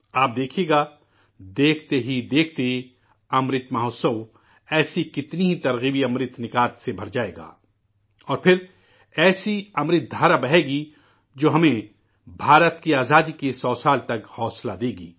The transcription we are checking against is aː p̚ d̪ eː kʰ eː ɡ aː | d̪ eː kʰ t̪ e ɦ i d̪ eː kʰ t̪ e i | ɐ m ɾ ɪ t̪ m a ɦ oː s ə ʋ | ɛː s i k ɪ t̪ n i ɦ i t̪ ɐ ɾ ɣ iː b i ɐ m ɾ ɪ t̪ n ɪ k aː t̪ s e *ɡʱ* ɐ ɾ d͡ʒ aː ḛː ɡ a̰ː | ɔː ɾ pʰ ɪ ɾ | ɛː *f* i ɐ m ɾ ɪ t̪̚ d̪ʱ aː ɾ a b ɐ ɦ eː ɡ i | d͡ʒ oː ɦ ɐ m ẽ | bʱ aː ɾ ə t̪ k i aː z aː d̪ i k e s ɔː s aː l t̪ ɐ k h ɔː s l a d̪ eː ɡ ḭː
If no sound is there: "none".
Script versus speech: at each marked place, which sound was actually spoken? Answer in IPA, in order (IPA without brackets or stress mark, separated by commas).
bʱ, s